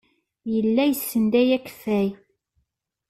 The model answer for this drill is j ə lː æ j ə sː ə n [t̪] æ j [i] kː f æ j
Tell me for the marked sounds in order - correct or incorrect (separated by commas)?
incorrect, incorrect